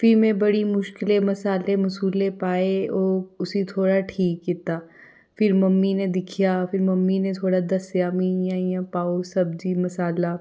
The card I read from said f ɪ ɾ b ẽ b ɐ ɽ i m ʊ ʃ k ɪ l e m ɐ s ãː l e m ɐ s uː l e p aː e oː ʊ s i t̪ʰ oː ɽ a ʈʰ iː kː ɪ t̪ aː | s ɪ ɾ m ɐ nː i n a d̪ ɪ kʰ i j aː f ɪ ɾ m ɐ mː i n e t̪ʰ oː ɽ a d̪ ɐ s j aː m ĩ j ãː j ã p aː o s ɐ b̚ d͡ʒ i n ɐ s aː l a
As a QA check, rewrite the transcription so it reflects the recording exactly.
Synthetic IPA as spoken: f ɪ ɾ m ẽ b ɐ ɽ i m ʊ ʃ k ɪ l e m ɐ s aː l e m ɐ s uː l e p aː e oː ʊ s i t̪ʰ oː ɽ a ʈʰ iː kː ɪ t̪ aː | f ɪ ɾ m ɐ mː i n e d̪ ɪ kʰ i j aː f ɪ ɾ m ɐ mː i n e t̪ʰ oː ɽ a d̪ ɐ s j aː m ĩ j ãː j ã p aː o s ɐ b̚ d͡ʒ i m ɐ s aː l a